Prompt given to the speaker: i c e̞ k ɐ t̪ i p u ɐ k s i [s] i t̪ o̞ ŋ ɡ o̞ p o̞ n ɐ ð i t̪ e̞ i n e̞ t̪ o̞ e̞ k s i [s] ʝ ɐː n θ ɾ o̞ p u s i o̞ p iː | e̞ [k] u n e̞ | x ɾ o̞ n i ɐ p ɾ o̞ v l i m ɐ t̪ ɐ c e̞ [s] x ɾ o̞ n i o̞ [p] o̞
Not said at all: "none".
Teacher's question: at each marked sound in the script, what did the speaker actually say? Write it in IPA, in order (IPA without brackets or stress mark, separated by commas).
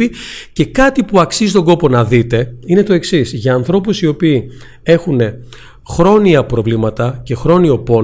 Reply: z, s, x, none, p